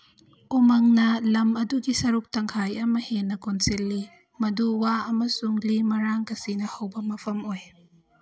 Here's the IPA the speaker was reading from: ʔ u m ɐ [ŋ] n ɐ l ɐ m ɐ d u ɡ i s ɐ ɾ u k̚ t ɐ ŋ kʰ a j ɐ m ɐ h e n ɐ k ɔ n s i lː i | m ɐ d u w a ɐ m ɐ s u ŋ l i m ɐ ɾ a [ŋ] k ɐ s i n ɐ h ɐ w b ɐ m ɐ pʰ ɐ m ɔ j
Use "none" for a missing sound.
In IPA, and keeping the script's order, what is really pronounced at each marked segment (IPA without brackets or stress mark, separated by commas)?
ŋ, ŋ